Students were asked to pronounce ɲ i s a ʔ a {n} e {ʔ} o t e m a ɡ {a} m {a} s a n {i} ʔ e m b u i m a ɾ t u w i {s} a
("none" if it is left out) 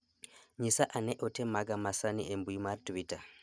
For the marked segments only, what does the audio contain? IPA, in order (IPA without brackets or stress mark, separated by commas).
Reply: n, ʔ, a, a, i, t